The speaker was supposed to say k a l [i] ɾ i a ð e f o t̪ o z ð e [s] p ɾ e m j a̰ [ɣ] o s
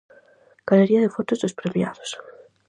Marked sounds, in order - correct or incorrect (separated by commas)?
incorrect, correct, incorrect